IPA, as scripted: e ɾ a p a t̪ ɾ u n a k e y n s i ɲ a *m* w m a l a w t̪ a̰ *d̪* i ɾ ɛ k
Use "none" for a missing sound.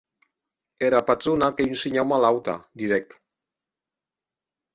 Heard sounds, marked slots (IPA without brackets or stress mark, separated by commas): none, d̪